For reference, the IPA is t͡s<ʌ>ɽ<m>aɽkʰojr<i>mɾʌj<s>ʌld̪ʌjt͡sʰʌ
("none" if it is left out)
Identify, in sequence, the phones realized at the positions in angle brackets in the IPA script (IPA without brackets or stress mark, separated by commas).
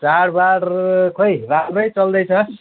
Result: a, b, a, t͡s